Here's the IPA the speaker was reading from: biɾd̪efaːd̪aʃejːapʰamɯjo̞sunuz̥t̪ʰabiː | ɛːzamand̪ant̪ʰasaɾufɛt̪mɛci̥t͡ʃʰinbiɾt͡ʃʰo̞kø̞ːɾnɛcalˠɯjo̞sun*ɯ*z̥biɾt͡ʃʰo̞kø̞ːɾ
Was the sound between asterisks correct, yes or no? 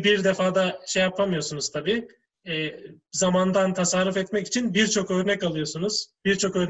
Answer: no